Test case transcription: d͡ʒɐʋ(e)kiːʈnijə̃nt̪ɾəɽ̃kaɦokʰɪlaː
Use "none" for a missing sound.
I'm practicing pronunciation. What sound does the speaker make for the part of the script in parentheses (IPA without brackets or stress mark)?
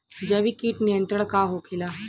i